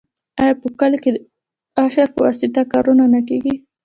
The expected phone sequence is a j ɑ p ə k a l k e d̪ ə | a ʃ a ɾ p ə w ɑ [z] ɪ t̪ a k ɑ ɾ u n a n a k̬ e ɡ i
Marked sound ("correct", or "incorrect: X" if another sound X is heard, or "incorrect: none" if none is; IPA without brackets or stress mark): incorrect: s